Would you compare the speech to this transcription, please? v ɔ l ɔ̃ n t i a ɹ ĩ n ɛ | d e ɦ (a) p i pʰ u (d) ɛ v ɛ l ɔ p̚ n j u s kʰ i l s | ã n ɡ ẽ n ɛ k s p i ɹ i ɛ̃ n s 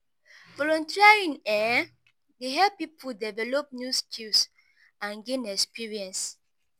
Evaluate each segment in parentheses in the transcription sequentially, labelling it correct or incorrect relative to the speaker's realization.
incorrect, correct

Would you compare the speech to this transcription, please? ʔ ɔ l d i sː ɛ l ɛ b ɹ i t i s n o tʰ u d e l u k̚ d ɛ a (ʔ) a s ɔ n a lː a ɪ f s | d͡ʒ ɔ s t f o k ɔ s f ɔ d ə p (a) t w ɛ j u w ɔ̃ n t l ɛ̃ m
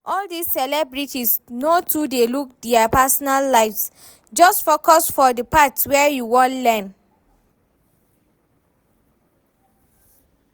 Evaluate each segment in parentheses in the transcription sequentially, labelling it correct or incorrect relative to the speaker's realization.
incorrect, correct

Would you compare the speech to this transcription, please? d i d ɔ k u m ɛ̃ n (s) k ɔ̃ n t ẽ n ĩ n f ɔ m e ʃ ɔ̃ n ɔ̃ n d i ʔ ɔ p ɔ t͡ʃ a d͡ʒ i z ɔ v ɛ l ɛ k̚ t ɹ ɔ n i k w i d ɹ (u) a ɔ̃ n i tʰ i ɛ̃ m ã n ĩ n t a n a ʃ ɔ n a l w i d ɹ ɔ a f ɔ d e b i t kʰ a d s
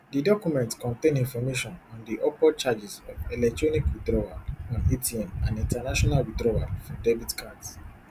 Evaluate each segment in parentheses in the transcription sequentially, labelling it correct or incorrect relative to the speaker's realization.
incorrect, incorrect

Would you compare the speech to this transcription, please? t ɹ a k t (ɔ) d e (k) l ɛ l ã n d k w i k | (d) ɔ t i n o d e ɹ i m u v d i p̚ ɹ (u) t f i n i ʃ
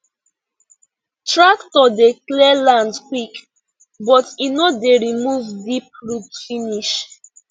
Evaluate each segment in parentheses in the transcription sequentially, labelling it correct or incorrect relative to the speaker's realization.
correct, correct, incorrect, correct

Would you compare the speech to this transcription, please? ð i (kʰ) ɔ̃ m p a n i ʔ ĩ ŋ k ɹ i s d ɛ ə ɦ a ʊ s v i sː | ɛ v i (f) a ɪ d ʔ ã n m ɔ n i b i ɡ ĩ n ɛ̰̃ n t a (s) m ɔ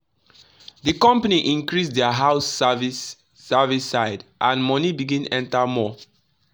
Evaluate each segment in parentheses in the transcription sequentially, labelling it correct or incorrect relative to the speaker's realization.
incorrect, incorrect, incorrect

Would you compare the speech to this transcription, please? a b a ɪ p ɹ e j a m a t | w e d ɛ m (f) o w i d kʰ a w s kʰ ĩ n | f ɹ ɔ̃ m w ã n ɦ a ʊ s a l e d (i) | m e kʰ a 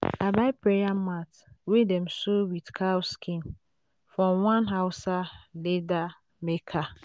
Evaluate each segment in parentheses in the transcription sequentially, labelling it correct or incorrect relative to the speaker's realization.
incorrect, incorrect

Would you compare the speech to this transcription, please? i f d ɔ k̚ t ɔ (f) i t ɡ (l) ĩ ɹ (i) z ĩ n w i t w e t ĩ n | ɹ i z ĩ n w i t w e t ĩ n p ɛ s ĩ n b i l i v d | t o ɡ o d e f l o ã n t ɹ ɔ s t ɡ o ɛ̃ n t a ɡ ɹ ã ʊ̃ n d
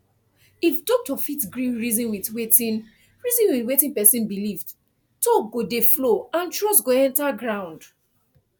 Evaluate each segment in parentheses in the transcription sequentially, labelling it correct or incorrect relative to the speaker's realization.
correct, incorrect, correct

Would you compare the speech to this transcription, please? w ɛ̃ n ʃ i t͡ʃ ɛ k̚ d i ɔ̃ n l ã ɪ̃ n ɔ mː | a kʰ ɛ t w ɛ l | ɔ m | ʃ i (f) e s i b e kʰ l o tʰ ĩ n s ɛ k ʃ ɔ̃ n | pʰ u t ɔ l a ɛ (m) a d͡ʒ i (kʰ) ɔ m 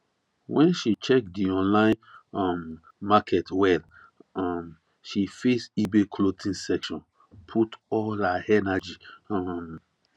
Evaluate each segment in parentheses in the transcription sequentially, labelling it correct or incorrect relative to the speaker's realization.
correct, incorrect, incorrect

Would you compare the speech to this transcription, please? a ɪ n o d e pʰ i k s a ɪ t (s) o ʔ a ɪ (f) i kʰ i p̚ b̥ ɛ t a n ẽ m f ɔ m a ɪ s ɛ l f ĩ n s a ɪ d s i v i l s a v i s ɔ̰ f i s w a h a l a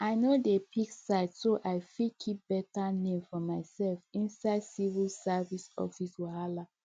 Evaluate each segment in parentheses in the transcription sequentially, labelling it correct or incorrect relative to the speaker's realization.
correct, correct

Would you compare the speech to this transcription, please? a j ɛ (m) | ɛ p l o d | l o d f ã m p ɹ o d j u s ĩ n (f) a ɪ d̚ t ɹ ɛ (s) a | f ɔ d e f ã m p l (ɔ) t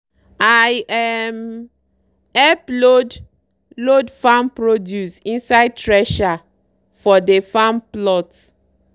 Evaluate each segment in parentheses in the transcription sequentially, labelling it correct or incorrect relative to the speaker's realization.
correct, incorrect, incorrect, correct

